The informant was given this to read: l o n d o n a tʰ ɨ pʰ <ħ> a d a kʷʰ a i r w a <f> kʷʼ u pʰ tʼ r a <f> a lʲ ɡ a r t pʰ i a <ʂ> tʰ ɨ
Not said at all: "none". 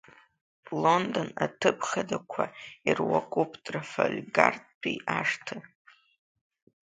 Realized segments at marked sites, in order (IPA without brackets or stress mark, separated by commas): χ, none, f, ʂ